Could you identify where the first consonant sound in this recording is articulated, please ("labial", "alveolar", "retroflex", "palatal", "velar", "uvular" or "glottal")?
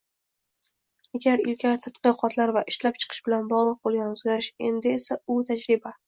velar